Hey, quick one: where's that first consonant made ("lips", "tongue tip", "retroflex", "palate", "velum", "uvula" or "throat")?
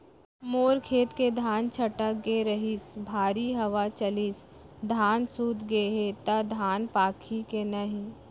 lips